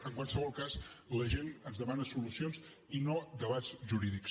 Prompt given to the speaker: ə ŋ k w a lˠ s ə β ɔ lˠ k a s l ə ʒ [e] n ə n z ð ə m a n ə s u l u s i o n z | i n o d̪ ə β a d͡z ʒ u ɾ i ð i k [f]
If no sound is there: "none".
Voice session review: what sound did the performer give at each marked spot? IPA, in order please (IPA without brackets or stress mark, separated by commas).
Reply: e, s